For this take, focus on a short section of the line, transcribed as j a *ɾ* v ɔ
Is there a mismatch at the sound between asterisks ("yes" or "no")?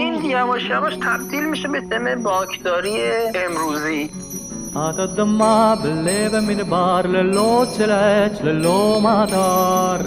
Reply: yes